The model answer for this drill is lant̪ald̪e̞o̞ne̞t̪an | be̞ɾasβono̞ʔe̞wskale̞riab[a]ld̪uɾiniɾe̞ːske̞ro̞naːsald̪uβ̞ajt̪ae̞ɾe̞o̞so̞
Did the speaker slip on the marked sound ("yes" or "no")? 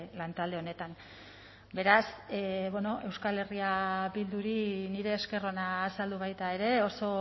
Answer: yes